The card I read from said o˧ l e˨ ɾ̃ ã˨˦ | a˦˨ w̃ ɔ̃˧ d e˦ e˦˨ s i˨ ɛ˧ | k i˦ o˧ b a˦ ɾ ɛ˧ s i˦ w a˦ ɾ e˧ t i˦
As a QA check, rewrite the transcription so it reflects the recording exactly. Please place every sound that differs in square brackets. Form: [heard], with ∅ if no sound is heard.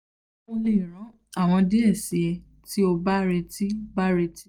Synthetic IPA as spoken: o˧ l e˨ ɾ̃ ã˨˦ | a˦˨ w̃ ɔ̃˧ d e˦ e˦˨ s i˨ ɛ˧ | [t] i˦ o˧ b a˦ ɾ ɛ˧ [t] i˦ [b] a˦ ɾ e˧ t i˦

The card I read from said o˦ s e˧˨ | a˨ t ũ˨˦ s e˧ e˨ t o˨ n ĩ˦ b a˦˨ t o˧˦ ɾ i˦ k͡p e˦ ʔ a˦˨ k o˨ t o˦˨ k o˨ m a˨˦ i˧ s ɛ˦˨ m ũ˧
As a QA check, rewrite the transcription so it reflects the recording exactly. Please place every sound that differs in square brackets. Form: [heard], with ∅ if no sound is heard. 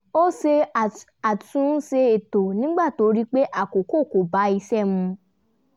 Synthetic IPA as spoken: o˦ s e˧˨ | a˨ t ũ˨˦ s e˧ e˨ t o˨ n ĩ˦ [ɡ͡b] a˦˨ t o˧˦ ɾ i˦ k͡p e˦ ʔ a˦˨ k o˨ [k] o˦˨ k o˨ [b] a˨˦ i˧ s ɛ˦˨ m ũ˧

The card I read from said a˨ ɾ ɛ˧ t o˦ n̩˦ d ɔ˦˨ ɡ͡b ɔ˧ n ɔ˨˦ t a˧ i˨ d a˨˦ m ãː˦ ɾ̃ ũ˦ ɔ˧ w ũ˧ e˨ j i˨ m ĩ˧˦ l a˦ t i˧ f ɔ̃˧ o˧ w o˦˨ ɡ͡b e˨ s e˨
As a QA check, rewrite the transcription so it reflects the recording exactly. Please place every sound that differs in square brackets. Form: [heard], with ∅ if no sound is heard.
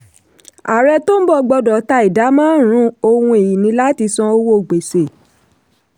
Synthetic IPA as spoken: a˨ ɾ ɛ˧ t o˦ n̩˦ [b] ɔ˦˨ ɡ͡b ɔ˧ [d] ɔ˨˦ t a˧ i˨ d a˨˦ m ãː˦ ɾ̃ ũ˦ [o˧] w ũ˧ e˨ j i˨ [n] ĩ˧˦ l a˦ t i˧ [s] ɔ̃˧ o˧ w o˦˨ ɡ͡b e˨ s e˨

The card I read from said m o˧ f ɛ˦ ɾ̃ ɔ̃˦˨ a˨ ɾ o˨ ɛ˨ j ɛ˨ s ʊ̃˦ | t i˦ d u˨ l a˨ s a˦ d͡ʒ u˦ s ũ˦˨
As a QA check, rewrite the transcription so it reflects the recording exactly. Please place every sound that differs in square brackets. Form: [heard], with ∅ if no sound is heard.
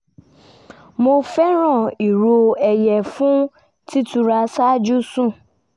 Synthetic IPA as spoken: m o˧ f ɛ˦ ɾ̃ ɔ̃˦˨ [i˨] ɾ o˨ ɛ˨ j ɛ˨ [f] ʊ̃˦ | t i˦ [t] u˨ [ɾ] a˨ s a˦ d͡ʒ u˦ s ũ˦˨

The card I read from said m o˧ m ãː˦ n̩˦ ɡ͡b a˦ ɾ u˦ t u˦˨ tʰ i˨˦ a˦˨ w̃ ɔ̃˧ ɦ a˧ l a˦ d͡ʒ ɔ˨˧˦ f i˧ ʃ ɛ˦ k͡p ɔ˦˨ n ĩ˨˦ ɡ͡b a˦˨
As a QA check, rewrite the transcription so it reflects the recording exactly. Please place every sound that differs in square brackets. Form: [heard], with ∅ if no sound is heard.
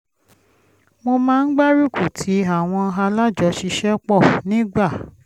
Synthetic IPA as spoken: m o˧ m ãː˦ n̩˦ ɡ͡b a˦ ɾ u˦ [k] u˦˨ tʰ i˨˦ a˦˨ w̃ ɔ̃˧ ɦ a˧ l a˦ d͡ʒ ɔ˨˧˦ [ʃ] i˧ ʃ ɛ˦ k͡p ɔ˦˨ n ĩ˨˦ ɡ͡b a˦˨

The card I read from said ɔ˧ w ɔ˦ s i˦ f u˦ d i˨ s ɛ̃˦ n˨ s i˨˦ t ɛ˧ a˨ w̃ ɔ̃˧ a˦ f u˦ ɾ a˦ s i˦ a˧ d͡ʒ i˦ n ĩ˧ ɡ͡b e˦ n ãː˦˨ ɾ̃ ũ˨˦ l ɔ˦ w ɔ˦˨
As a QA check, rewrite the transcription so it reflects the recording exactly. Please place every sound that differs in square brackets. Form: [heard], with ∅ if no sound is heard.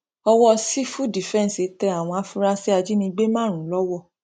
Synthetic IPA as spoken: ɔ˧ w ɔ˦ s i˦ f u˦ d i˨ [f] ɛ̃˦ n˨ s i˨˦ t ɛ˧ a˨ w̃ ɔ̃˧ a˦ f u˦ ɾ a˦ s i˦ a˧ d͡ʒ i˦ n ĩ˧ ɡ͡b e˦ [m] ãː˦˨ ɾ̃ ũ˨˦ l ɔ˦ w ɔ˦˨

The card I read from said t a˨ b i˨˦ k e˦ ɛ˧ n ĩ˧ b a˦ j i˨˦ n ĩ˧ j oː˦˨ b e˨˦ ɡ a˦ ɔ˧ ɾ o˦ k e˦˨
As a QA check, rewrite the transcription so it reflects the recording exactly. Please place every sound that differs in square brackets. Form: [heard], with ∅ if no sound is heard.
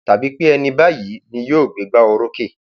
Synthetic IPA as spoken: t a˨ b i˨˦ [k͡p] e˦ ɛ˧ n ĩ˧ b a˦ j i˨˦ n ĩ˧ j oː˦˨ [ɡ͡b] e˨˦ [ɡ͡b] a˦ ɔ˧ ɾ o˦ k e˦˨

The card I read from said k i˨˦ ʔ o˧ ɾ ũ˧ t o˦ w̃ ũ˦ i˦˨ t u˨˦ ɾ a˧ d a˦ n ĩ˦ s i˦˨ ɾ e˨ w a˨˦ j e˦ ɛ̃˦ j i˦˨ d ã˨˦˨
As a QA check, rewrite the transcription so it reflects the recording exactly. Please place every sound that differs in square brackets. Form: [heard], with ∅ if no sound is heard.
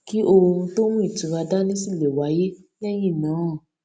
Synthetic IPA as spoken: k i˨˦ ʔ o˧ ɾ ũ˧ t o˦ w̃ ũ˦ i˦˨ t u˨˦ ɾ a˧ d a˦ n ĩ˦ s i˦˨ [l] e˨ w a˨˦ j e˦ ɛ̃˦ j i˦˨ [n] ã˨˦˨

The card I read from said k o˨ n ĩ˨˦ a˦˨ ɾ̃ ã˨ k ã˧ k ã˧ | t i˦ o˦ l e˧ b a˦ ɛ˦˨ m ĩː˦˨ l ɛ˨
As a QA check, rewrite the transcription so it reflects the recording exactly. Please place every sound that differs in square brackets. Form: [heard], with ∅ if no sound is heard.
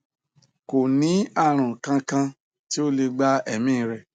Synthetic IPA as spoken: k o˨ n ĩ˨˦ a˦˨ ɾ̃ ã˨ k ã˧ k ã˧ | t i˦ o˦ l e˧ [ɡ͡b] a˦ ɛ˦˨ m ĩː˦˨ [ɾ] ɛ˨

